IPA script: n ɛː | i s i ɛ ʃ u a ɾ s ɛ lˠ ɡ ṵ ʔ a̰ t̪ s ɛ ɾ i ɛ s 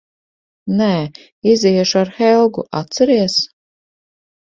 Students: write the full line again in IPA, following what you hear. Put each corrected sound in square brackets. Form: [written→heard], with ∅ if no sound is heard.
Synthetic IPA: n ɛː | i [s→z] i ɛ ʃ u a ɾ [s→x] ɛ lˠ ɡ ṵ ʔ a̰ t̪ s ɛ ɾ i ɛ s